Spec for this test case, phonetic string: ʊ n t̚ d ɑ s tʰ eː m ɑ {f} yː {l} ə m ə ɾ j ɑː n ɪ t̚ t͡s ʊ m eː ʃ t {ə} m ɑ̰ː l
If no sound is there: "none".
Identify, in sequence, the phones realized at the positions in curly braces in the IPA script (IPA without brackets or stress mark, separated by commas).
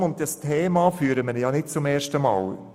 f, ɾ, ə